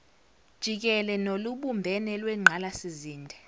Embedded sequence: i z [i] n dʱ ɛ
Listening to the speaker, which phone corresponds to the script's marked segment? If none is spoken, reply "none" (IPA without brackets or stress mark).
iː